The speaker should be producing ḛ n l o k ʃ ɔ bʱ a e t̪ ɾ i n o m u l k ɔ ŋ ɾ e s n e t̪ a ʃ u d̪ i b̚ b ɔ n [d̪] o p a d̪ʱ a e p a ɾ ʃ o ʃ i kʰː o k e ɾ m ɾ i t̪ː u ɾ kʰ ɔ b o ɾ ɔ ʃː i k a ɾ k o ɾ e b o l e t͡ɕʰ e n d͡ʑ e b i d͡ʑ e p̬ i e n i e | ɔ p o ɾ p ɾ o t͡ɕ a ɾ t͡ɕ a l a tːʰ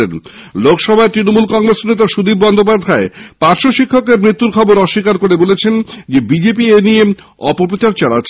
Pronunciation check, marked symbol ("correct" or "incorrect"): correct